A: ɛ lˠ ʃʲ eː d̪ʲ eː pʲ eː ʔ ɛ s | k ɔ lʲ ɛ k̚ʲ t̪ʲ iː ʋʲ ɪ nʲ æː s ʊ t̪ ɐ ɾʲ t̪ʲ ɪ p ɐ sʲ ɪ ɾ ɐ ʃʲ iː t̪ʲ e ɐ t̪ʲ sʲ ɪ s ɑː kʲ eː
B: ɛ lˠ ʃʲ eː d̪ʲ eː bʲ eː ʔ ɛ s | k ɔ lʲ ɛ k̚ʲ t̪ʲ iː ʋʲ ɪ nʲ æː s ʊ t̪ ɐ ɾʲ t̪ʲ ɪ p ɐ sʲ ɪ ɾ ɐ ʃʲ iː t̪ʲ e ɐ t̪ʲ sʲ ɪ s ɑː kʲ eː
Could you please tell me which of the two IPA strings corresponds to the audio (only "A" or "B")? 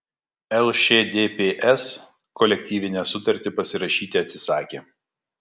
A